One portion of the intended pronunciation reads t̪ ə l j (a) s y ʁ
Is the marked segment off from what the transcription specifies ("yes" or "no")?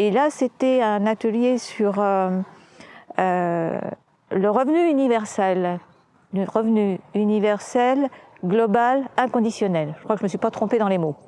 yes